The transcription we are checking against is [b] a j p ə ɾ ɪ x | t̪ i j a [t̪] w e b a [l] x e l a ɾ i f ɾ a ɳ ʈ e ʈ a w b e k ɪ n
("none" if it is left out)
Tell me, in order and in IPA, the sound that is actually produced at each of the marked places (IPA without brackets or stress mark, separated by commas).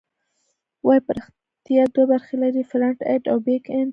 w, d̪, ɾ